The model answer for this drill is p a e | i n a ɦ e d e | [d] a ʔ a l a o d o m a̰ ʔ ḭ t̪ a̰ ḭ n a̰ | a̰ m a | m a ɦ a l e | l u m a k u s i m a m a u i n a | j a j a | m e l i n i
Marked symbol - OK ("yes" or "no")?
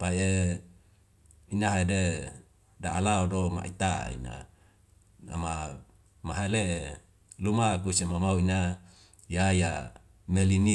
yes